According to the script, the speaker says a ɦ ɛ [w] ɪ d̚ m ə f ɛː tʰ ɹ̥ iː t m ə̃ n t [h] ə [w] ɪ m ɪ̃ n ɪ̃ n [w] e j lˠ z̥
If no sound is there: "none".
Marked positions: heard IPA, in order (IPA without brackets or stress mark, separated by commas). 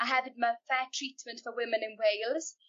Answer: v, f, w, w